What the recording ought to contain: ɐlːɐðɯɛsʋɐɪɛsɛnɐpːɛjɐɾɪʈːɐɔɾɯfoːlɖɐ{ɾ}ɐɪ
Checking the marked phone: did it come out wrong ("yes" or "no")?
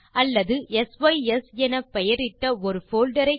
no